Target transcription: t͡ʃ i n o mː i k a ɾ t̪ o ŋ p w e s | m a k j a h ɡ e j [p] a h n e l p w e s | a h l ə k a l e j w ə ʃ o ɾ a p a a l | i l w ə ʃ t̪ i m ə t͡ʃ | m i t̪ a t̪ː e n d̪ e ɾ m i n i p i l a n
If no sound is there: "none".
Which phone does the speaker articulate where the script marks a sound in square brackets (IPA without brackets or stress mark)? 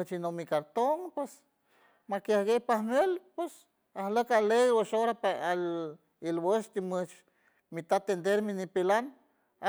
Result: p